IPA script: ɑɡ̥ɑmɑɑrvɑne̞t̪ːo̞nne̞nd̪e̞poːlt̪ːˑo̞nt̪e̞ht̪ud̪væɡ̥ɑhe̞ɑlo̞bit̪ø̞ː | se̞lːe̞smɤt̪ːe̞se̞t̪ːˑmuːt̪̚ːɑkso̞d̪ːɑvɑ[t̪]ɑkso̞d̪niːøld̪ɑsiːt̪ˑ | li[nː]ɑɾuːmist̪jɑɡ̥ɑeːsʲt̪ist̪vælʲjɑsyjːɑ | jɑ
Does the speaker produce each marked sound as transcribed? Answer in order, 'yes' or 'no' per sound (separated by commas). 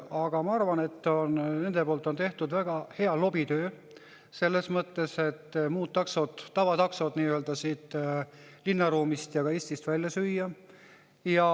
yes, yes